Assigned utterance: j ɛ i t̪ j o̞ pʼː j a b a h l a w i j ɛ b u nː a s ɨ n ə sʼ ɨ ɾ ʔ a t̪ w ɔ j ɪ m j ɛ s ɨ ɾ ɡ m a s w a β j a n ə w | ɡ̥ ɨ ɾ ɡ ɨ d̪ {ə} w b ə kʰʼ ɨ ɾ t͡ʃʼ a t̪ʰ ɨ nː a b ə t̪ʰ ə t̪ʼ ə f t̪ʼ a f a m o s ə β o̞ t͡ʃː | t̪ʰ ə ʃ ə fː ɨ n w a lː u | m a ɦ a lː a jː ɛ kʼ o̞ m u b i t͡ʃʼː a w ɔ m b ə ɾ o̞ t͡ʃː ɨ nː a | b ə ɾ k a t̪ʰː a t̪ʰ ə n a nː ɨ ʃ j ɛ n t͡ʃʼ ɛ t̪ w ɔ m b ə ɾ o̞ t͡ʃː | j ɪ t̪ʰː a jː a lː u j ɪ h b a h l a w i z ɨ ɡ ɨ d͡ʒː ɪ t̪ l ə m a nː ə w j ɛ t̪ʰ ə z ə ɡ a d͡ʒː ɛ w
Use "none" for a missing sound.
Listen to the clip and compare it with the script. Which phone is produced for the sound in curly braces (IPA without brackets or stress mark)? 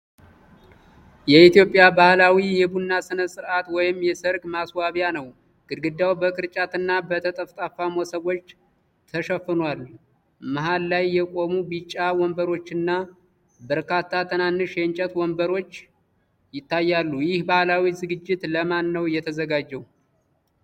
a